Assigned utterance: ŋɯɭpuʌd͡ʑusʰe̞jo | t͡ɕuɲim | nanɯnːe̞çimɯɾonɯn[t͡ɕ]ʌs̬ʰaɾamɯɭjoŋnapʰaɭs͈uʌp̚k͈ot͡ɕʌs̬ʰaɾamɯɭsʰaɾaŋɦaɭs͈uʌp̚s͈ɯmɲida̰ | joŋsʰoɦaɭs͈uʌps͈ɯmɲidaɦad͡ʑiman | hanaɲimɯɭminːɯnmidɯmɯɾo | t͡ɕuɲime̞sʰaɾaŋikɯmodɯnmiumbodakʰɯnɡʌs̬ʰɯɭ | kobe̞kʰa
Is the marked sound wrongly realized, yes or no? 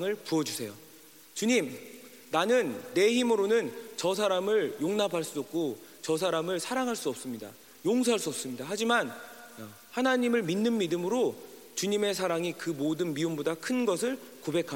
no